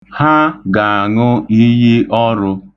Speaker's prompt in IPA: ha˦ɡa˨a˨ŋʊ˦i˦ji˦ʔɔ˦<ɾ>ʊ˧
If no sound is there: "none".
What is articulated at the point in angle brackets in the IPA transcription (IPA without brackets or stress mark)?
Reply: ɾ